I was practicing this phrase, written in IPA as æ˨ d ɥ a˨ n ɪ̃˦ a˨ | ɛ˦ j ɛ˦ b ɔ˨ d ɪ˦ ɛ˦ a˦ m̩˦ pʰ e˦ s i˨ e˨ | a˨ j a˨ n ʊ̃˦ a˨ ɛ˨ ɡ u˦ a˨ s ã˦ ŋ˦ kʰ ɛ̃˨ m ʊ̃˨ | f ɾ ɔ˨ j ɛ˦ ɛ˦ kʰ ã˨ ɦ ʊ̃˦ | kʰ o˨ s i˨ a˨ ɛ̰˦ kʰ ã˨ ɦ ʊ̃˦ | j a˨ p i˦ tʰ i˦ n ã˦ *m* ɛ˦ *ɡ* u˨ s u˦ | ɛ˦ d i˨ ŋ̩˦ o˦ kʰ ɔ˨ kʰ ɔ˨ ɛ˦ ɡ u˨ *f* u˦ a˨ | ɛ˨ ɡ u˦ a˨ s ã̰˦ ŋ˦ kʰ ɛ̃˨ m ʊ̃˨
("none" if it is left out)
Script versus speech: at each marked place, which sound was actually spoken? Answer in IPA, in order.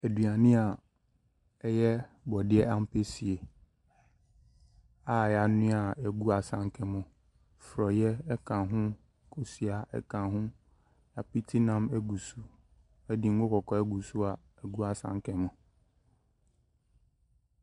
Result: m, ɡ, s

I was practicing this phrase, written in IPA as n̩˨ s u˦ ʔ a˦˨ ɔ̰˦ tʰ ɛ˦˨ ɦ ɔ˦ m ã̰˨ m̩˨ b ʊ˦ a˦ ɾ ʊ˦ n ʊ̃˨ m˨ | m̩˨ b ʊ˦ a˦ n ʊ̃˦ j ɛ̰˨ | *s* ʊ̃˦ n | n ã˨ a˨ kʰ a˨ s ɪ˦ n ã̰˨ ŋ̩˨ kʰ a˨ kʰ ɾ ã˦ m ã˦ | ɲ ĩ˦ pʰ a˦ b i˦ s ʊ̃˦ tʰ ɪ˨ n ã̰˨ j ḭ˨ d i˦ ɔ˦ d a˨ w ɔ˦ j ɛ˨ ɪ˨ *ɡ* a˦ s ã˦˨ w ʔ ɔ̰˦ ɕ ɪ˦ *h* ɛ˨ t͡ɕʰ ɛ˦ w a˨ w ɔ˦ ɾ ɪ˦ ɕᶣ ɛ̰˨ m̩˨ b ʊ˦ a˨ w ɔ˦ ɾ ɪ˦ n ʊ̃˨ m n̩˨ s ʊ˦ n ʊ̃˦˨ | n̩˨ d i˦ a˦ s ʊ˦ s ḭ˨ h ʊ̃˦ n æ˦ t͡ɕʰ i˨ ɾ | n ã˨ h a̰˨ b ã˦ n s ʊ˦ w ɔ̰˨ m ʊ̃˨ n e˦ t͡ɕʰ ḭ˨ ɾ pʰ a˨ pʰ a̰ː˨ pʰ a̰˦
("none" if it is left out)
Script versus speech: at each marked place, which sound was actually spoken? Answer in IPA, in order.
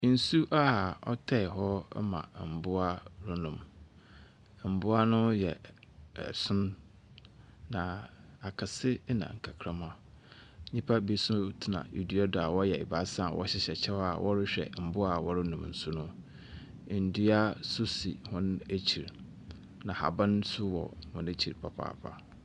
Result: s, b, ɕ

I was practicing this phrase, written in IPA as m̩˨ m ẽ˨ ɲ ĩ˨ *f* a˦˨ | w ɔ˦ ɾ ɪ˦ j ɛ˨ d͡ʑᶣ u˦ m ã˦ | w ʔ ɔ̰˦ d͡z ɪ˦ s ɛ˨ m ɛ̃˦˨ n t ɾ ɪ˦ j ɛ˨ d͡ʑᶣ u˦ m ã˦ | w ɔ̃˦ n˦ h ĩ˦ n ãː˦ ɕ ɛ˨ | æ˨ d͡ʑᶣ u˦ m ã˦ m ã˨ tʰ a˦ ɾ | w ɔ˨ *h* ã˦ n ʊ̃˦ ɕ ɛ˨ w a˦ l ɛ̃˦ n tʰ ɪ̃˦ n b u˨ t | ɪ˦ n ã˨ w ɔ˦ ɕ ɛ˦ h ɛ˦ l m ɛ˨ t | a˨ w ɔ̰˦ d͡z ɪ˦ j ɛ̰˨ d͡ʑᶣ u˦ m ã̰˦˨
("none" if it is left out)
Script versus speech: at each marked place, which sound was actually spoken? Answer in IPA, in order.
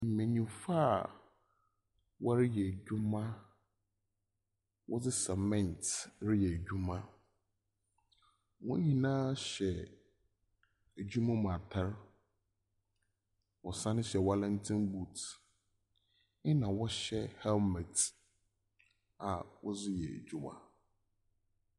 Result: f, s

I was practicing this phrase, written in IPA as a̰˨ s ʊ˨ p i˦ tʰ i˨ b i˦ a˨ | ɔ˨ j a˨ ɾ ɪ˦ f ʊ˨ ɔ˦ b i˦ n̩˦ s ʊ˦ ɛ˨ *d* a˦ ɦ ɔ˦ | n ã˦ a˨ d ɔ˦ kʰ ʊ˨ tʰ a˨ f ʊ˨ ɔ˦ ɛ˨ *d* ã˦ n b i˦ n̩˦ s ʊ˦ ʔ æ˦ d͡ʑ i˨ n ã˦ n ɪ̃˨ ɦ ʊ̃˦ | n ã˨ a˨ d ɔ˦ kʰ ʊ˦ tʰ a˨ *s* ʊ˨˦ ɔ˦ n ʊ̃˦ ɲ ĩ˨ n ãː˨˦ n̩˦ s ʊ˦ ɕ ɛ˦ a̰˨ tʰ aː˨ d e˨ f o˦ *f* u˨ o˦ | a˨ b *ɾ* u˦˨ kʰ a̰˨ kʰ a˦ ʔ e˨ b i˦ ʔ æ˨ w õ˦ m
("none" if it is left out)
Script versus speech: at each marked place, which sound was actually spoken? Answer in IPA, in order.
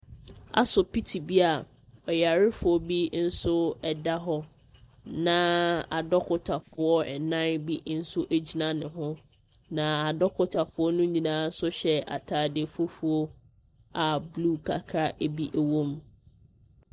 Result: d, n, f, f, l

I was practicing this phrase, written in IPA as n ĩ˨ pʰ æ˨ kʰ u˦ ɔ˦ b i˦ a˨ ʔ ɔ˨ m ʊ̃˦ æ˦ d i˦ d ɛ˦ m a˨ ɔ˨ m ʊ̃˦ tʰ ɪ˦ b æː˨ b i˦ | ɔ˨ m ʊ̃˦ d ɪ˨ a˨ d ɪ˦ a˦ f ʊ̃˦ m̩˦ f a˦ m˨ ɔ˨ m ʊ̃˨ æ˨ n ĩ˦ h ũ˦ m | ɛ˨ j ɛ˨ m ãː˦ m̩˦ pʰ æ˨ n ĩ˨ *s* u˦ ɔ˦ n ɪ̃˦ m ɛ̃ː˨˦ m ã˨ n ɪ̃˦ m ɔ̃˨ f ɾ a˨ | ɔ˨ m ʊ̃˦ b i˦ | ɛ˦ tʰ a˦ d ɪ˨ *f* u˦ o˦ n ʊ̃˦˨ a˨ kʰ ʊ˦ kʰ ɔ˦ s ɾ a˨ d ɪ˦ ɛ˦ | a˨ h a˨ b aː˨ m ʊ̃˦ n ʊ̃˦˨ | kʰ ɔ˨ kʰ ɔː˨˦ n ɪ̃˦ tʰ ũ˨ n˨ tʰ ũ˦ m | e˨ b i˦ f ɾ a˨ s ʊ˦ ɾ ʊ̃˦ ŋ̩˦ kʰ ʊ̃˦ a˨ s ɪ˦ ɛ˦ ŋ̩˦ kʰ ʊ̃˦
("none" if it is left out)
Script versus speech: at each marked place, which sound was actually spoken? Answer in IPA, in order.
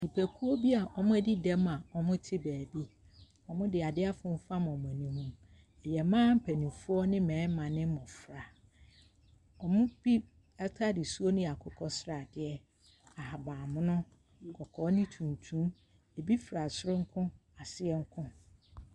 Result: f, s

